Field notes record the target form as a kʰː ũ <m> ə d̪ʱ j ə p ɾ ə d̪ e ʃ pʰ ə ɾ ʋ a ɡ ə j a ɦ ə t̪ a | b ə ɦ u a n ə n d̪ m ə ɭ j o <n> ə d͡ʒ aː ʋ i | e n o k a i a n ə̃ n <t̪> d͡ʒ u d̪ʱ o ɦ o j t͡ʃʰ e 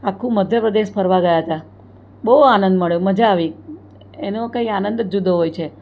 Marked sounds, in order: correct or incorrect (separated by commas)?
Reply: correct, incorrect, incorrect